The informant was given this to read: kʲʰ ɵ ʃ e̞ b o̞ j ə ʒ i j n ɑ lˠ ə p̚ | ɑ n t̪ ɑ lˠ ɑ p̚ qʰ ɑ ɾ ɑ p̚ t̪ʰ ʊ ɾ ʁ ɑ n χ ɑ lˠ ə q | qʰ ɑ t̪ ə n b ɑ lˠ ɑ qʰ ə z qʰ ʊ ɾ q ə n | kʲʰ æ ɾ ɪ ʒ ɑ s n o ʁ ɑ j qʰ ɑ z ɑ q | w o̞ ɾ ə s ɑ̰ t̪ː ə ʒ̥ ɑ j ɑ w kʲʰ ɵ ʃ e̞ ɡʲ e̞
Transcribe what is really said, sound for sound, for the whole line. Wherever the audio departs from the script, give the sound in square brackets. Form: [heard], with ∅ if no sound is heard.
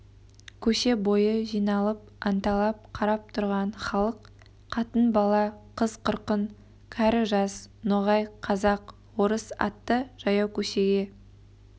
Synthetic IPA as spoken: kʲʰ ɵ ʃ e̞ b o̞ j ə ʒ i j n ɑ lˠ ə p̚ | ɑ n t̪ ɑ lˠ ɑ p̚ qʰ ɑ ɾ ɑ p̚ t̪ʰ ʊ ɾ ʁ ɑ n χ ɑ lˠ ə q | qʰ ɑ t̪ ə n b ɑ lˠ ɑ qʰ ə z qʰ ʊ ɾ q ə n | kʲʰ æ ɾ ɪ ʒ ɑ s n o ʁ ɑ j qʰ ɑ z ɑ q | w o̞ ɾ ə s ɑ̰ t̪ː ə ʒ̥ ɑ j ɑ w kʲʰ ɵ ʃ e̞ ɡʲ e̞